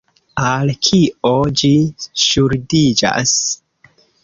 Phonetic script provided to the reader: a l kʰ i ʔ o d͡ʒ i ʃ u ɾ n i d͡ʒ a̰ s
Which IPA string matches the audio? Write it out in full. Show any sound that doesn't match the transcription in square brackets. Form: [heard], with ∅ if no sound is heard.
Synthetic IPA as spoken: a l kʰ i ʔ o d͡ʒ i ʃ u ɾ [d] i d͡ʒ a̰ s